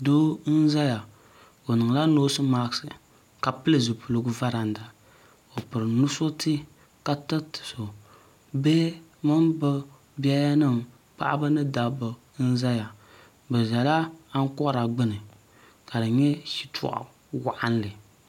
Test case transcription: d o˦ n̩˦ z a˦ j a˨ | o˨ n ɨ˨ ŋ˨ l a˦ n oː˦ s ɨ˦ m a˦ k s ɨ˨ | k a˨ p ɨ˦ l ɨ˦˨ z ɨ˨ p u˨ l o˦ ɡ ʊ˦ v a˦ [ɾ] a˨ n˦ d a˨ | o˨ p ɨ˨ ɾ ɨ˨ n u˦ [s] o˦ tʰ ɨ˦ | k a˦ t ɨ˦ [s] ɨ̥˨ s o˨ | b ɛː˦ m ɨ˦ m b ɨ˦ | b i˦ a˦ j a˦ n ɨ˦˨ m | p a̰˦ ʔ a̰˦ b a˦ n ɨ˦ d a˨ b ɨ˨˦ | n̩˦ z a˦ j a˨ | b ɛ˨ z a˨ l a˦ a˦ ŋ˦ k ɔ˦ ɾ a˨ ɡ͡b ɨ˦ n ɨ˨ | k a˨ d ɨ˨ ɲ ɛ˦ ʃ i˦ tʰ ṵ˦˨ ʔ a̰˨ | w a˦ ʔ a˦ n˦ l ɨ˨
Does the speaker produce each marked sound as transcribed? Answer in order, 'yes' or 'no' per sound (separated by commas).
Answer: yes, yes, no